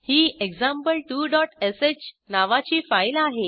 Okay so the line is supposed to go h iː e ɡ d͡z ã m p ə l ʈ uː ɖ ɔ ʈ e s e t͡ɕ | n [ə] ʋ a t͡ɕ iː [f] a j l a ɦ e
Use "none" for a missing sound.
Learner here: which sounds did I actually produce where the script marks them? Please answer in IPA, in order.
a, f

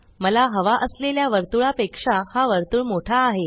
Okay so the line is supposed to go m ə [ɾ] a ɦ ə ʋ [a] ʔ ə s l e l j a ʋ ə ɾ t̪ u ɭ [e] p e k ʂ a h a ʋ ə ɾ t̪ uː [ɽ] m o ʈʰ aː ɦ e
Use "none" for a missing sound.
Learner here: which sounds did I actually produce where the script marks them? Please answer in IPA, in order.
l, a, a, ɭ

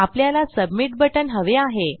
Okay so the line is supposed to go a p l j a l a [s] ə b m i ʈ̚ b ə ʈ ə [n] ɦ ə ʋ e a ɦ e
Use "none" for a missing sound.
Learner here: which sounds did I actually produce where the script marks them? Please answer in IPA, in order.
s, n

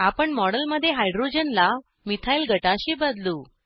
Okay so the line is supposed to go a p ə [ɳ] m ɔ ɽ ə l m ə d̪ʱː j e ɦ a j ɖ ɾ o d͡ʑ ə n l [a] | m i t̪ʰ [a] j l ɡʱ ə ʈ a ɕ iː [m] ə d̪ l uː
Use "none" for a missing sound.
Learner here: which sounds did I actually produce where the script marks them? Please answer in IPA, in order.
ɳ, a, a, b

